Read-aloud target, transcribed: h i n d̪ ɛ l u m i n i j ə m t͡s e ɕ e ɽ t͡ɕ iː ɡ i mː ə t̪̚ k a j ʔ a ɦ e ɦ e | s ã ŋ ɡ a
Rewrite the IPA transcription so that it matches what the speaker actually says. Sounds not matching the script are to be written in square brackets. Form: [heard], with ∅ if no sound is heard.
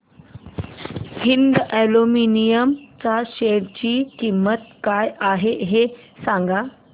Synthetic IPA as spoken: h i n d̪ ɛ l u m i n i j ə m t͡s [a] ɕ e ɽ t͡ɕ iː [k] i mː ə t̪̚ k a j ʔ a ɦ e ɦ e | s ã ŋ ɡ a

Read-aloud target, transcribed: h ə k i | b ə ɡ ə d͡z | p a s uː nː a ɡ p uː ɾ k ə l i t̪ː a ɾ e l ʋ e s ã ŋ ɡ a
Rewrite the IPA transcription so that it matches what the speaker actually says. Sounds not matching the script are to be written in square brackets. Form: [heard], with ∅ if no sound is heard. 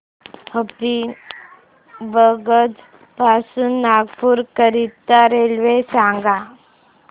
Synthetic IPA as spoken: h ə [p] i | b ə ɡ ə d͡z | p a s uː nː a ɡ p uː ɾ k ə [ɾ] i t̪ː a ɾ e l ʋ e s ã ŋ ɡ a

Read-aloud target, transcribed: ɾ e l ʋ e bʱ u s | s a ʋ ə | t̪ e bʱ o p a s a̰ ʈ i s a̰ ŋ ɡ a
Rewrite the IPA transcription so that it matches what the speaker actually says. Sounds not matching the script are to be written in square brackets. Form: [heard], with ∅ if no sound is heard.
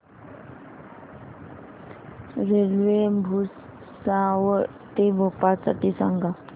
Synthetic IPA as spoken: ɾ e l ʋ e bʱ u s | s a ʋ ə | t̪ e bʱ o p a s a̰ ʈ i s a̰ ŋ ɡ a

